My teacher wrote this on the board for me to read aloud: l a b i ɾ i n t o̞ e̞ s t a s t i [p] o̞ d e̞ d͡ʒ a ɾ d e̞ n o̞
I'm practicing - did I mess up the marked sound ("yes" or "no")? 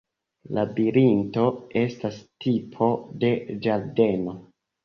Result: yes